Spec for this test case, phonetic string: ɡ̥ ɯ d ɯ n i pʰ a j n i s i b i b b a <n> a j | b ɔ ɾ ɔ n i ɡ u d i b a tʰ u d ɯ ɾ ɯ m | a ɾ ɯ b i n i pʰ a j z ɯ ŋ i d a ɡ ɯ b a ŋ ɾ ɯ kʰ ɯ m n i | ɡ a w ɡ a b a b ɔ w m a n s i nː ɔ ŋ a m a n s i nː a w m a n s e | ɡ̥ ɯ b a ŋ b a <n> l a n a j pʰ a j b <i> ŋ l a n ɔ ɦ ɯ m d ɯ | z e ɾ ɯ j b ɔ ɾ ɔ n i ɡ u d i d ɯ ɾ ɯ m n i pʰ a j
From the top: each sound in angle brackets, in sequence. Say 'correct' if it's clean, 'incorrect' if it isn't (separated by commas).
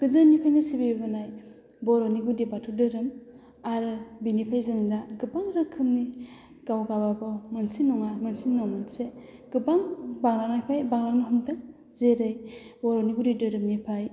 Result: correct, incorrect, incorrect